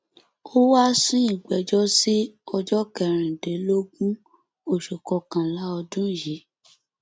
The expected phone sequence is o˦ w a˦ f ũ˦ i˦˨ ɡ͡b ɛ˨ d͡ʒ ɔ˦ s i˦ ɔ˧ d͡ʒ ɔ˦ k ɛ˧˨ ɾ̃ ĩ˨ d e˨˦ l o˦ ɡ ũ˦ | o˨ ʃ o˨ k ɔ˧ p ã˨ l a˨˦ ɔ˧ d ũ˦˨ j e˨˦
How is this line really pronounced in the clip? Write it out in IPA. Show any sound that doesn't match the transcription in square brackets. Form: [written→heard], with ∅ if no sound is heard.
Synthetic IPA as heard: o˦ w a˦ [f→s] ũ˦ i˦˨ ɡ͡b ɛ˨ d͡ʒ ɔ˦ s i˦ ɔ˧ d͡ʒ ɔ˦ k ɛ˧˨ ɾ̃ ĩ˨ d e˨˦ l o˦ ɡ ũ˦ | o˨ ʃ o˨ k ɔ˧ [p→k] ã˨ l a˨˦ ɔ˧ d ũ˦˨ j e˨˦